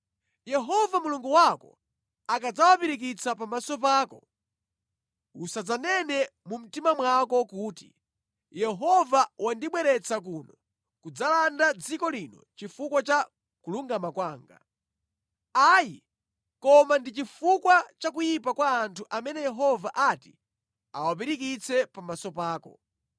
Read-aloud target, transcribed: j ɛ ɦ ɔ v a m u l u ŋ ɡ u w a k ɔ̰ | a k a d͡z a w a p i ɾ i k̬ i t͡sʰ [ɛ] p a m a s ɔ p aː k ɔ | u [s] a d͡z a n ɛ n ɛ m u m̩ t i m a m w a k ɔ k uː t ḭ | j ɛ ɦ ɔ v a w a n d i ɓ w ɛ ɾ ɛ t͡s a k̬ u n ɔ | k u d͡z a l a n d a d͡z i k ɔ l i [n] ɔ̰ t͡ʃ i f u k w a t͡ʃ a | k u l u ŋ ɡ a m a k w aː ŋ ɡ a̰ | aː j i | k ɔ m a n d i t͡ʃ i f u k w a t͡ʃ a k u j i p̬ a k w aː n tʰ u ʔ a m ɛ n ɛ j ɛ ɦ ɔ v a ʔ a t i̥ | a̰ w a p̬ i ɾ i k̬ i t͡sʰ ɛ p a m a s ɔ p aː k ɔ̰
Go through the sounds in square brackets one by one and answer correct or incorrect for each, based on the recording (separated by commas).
incorrect, correct, correct